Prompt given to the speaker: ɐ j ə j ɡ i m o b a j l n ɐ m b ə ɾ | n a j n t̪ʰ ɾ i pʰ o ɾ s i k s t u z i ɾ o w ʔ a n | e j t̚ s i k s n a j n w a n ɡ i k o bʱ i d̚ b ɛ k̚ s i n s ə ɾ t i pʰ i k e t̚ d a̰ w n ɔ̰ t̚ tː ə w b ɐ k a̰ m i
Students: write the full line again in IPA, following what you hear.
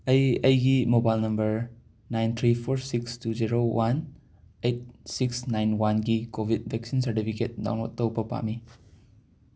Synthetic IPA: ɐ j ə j ɡ i m o b a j l n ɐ m b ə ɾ | n a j n t̪ʰ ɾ i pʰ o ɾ s i k s t u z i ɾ o w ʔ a n | e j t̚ s i k s n a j n w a n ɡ i k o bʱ i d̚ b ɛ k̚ s i n s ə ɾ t i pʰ i k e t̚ d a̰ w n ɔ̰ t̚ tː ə w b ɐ p a̰ m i

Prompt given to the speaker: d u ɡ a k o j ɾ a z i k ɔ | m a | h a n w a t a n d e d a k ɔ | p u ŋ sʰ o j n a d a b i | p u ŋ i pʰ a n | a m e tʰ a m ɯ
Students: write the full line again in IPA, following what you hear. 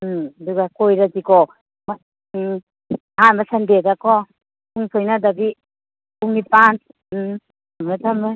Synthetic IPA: d u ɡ a k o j ɾ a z i k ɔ | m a | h a n b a s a n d e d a k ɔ | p u ŋ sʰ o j n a d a b i | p u ŋ i p a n | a m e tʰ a m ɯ

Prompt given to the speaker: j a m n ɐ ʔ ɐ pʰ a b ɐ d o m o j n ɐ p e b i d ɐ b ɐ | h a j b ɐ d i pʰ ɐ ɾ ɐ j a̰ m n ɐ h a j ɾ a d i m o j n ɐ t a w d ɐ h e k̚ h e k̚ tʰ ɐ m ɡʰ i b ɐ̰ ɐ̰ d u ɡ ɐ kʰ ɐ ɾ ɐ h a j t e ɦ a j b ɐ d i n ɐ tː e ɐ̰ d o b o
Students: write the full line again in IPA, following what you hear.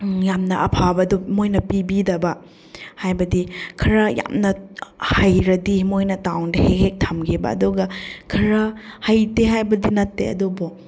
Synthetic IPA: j a m n ɐ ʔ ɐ pʰ a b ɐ d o m o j n ɐ p i b i d ɐ b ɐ | h a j b ɐ d i kʰ ɐ ɾ ɐ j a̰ m n ɐ h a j ɾ ɐ d i m o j n ɐ t a w d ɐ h e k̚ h e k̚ tʰ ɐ m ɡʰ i b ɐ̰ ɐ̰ d u ɡ ɐ kʰ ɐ ɾ ɐ h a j t e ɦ a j b ɐ d i n ɐ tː e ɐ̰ d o b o

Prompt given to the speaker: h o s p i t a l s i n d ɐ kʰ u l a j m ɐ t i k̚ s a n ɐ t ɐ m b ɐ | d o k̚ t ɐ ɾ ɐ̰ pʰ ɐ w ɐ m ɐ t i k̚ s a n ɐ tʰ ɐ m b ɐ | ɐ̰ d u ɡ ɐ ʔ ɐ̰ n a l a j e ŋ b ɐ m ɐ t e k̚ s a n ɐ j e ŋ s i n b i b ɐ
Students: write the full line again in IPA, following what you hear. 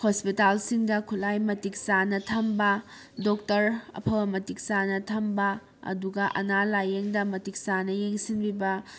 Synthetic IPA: h o s p i t a l s i ŋ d ɐ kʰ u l a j m ɐ t i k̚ s a n ɐ tʰ ɐ m b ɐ | d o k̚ t ɐ ɾ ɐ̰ pʰ ɐ w ɐ m ɐ t i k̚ s a n ɐ tʰ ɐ m b ɐ | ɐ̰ d u ɡ ɐ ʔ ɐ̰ n a l a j e ŋ d ɐ m ɐ t i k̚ s a n ɐ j e ŋ s i n b i b ɐ

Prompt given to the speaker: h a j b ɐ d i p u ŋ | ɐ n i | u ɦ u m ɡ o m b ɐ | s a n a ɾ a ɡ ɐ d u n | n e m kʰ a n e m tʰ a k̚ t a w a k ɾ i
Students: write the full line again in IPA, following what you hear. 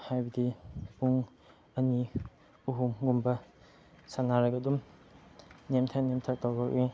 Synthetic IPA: h a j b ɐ d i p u ŋ | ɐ n i | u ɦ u m ɡ u m b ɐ | s a n a ɾ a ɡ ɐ d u m | n e m tʰ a n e m tʰ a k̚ t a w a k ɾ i

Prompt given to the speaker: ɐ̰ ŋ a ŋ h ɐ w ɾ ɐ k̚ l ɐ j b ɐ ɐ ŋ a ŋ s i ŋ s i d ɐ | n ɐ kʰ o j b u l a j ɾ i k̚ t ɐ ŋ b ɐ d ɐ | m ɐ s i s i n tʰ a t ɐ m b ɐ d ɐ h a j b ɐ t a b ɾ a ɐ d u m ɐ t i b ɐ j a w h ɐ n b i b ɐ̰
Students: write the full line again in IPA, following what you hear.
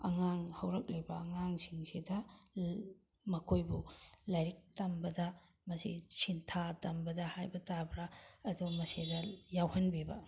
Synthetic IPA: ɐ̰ ŋ a ŋ h ɐ w ɾ ɐ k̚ l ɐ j b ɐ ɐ ŋ a ŋ s i ŋ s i d ɐ | m ɐ kʰ o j b u l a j ɾ i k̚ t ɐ m b ɐ d ɐ | m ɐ s i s i n tʰ a t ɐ m b ɐ d ɐ h a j b ɐ t a b ɾ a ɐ d u m ɐ s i d ɐ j a w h ɐ n b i b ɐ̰

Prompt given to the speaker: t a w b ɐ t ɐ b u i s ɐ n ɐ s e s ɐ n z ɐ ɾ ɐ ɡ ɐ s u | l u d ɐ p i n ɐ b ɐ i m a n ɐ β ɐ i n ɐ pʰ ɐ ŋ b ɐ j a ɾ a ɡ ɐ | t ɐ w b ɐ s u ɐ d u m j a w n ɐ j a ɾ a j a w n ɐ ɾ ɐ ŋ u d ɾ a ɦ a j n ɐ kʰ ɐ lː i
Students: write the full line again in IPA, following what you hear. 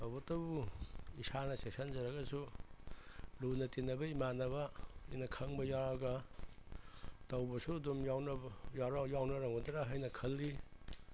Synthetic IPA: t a w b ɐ t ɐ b u i s a n ɐ s e s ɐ n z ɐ ɾ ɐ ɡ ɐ s u | l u n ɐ t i n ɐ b ɐ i m a n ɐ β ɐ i n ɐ kʰ ɐ ŋ b ɐ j a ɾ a ɡ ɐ | t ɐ w b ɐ s u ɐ d u m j a w n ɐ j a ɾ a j a w n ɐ ɾ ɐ ŋ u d ɾ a ɦ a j n ɐ kʰ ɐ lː i

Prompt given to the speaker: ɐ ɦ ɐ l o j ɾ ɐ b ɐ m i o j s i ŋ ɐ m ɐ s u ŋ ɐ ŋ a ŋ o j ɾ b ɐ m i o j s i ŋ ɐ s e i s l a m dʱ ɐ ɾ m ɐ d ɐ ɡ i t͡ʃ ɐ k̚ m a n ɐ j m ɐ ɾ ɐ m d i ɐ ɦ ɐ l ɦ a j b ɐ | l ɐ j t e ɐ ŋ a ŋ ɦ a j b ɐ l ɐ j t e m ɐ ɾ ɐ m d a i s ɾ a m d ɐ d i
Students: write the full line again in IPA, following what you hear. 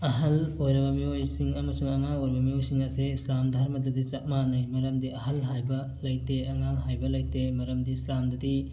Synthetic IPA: ɐ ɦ ɐ l o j ɾ ɐ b ɐ m i o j s i ŋ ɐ m ɐ s u ŋ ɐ ŋ a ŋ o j ɾ b ɐ m i o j s i ŋ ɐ s e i s l a m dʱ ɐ ɾ m ɐ d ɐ d i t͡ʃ ɐ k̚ m a n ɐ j m ɐ ɾ ɐ m d i ɐ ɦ ɐ l ɦ a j b ɐ | l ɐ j t e ɐ ŋ a ŋ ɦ a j b ɐ l ɐ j t e m ɐ ɾ ɐ m d i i s l a m d ɐ d i

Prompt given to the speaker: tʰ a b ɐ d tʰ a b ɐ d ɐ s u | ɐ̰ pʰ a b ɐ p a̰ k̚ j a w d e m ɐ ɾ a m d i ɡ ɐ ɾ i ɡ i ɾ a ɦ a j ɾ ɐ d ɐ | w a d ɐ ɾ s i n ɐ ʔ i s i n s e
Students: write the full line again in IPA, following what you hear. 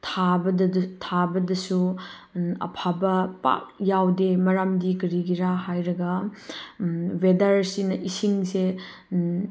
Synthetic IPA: tʰ a b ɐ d tʰ a b ɐ d ɐ s u | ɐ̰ pʰ a b ɐ p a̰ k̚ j a w d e m ɐ ɾ a m d i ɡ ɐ ɾ i ɡ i ɾ a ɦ a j ɾ ɐ ɡ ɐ | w e d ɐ ɾ s i n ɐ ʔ i s i ŋ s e

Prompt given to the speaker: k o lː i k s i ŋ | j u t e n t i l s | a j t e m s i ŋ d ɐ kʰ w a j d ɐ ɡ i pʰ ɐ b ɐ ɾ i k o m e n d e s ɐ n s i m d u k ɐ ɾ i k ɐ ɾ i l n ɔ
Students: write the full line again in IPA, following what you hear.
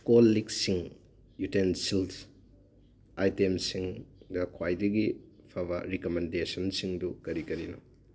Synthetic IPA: k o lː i k s i ŋ | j u t e n s i l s | a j t e m s i ŋ d ɐ kʰ w a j d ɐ ɡ i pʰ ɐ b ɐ ɾ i k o m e n d e s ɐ n s i ŋ d u k ɐ ɾ i k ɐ ɾ i n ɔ

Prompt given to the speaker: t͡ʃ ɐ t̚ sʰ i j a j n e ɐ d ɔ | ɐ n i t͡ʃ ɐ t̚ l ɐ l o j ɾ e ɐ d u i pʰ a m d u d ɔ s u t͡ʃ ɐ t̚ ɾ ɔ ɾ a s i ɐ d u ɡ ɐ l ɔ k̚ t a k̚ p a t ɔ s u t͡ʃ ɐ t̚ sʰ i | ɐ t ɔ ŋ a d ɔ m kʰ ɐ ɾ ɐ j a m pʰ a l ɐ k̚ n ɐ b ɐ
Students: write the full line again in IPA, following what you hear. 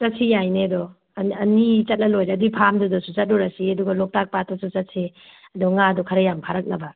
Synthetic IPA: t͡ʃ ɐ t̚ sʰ i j a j n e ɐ d ɔ | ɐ n i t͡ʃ ɐ t̚ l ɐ l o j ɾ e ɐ d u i pʰ a m d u d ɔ s u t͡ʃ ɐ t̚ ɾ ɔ ɾ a s i ɐ d u ɡ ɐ l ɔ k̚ t a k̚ p a t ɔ s u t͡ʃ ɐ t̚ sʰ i | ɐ d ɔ ŋ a d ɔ kʰ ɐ ɾ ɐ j a m pʰ a ɾ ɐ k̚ n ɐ b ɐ

